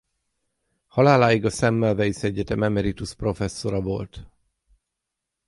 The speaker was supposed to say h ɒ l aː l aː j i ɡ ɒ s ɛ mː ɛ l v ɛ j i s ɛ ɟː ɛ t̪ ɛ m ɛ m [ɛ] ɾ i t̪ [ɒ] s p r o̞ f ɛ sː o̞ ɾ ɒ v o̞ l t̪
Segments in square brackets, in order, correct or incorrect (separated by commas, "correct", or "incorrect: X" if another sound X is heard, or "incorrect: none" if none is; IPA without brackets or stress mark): correct, incorrect: u